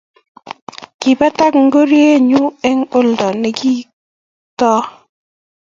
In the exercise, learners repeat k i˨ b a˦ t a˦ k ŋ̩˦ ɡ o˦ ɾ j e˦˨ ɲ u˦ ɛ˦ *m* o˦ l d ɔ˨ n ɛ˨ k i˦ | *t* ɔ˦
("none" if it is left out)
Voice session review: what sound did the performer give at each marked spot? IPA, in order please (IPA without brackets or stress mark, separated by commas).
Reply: ŋ, t